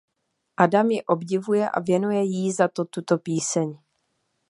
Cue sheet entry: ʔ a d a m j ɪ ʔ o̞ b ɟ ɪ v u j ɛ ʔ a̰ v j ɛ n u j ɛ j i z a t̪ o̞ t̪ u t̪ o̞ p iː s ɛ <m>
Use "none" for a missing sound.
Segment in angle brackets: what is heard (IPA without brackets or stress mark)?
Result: ɲ